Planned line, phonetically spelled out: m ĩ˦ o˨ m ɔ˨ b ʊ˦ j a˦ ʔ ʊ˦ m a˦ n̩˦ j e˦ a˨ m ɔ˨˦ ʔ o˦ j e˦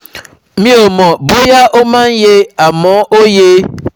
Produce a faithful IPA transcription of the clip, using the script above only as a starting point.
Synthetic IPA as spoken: m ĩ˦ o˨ m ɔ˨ b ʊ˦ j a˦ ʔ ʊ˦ m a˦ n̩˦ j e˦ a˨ m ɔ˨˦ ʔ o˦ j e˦